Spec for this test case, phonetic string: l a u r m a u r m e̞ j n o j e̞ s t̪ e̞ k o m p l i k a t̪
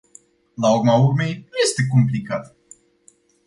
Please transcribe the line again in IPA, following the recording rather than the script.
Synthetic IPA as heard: l a u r m a u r m e̞ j n u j e̞ s t̪ e̞ k o m p l i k a t̪